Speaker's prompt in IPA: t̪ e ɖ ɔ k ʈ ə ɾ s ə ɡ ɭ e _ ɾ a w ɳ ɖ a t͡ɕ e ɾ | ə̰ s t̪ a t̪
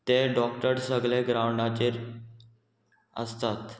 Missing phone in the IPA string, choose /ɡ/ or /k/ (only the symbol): ɡ